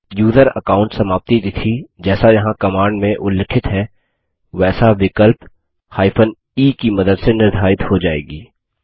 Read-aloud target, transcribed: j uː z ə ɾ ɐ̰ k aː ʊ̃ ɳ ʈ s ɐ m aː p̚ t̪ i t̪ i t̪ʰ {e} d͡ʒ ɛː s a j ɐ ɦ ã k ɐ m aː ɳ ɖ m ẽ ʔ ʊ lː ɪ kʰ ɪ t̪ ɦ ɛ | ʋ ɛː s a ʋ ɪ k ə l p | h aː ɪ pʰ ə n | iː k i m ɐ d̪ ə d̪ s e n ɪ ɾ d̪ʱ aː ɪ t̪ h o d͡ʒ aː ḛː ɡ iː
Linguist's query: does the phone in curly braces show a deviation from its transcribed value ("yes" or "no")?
yes